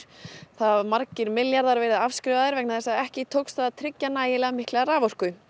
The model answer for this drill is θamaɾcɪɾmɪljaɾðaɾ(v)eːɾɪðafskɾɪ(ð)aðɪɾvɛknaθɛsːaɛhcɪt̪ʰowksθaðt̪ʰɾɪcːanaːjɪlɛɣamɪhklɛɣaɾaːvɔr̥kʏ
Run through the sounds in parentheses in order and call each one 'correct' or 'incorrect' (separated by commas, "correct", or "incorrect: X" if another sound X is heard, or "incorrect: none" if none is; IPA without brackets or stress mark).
correct, incorrect: v